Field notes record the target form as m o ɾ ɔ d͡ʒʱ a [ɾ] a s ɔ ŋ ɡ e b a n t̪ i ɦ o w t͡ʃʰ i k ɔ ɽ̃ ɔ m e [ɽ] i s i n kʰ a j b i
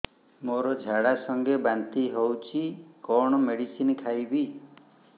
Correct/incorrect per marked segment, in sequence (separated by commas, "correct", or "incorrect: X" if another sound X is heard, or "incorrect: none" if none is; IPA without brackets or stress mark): incorrect: ɽ, correct